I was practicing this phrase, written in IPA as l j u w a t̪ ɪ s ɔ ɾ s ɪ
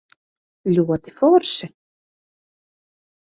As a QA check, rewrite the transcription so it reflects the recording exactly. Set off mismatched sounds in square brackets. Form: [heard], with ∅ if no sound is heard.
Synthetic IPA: l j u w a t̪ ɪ [f] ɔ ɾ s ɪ